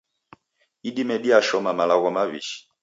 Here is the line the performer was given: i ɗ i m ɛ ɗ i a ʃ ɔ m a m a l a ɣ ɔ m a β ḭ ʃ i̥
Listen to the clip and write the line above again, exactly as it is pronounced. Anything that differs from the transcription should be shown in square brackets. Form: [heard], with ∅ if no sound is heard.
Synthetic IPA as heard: i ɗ i m ɛ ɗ i a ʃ ɔ m a m a l a ɣ ɔ m a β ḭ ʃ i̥